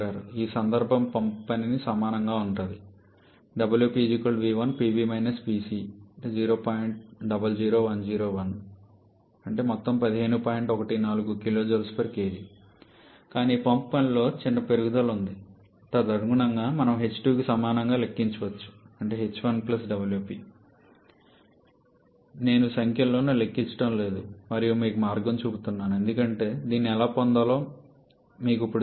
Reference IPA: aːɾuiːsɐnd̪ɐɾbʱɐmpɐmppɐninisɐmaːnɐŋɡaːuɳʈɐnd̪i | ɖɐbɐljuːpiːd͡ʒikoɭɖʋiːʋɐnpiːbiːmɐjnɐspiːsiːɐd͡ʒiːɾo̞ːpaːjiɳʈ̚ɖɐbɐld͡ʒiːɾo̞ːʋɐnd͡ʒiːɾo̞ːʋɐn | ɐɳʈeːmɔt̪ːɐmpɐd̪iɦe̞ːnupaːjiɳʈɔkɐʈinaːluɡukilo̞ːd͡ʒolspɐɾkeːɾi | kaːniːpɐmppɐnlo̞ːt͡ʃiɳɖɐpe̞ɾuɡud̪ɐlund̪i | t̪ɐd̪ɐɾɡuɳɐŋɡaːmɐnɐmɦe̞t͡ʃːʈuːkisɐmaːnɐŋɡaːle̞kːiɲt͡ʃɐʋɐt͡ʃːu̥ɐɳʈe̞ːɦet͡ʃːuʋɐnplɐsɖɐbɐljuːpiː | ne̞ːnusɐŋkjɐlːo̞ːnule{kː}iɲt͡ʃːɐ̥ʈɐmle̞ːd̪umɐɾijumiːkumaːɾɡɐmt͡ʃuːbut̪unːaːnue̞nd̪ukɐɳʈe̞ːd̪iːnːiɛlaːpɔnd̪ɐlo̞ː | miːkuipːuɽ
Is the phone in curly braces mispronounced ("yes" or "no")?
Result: no